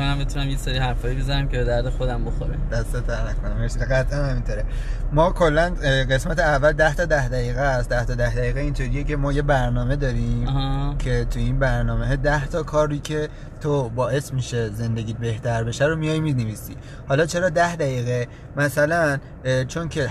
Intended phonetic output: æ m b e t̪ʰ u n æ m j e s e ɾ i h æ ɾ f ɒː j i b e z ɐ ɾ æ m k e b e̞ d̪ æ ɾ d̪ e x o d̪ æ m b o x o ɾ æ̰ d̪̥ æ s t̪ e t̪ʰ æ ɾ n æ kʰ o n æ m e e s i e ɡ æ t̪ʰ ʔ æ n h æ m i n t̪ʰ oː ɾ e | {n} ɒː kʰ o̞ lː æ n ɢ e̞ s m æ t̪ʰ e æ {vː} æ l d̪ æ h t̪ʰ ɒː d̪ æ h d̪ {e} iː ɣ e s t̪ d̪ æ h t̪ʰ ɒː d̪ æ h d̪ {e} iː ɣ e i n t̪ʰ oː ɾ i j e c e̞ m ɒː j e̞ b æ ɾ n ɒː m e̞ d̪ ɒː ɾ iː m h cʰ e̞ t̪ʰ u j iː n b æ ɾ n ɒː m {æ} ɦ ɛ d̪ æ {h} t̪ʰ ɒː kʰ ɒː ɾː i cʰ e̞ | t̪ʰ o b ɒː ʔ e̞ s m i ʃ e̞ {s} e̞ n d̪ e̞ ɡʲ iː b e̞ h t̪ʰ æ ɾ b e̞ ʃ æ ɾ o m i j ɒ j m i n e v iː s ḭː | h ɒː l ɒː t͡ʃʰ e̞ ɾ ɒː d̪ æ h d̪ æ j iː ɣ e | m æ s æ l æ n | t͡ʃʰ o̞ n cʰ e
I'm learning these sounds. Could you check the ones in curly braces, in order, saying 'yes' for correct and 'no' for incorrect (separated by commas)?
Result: no, yes, no, no, no, yes, no